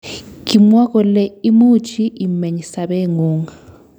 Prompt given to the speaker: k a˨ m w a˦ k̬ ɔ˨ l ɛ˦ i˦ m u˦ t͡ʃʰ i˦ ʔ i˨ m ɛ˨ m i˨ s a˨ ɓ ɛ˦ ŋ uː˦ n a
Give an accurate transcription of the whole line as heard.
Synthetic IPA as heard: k i˨ m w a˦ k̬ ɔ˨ l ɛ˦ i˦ m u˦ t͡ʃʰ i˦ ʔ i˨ m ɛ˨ ɲ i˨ s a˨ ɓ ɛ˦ ŋ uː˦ ŋ a